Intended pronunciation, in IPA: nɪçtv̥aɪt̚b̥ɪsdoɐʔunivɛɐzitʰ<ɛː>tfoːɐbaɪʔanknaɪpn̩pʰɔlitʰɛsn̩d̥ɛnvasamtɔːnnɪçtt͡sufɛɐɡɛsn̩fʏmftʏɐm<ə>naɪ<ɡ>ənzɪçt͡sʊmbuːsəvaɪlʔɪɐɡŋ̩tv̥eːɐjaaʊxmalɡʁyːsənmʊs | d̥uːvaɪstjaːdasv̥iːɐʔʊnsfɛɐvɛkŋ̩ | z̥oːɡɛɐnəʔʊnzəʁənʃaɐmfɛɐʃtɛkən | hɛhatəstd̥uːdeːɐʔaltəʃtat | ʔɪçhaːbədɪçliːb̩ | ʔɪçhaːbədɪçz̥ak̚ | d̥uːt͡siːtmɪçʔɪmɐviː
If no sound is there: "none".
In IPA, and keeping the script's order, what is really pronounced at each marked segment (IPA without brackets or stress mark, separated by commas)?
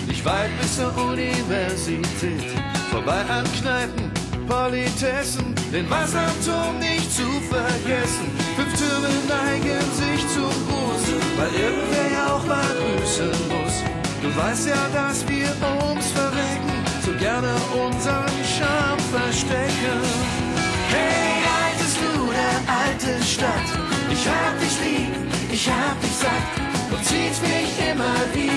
ɛː, ə, ɡ